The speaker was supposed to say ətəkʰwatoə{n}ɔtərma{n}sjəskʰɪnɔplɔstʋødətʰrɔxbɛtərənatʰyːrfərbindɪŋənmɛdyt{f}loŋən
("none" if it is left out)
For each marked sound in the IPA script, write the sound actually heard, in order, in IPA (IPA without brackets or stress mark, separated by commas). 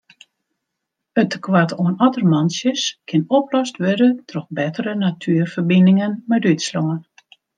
n, n, s